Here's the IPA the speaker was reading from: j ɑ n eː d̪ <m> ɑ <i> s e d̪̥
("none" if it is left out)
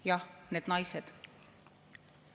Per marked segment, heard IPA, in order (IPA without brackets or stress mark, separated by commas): n, j